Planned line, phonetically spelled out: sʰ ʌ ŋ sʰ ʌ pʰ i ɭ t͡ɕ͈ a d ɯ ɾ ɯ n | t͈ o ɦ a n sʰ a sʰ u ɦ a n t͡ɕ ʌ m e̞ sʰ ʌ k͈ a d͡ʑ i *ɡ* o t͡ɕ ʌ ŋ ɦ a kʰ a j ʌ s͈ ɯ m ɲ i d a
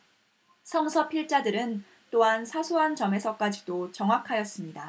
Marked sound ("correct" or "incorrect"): incorrect